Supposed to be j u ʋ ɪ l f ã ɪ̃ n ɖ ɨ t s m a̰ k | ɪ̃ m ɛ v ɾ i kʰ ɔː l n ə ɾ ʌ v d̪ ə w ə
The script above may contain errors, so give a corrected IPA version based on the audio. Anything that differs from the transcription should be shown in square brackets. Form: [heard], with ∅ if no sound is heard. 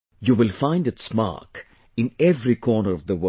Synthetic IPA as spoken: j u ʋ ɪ l f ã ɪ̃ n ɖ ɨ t s m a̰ k | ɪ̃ [n] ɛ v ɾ i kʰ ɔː [∅] n ə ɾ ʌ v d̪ ə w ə